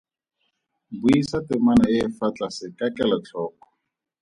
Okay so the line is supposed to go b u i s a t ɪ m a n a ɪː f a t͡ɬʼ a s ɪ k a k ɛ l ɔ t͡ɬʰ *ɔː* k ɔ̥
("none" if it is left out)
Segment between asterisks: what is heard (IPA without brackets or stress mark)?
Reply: ɔː